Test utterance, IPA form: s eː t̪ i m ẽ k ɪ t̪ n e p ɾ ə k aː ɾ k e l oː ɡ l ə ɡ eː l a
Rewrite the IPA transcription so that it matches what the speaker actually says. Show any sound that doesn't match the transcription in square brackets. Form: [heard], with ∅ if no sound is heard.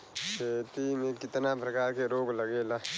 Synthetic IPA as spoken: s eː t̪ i m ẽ k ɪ t̪ n [a] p ɾ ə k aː ɾ k e [ɾ] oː ɡ l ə ɡ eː l a